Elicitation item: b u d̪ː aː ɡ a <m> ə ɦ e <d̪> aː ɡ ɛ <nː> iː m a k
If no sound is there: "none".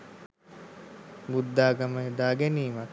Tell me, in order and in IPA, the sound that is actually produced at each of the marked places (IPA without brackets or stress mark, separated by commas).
m, d̪, n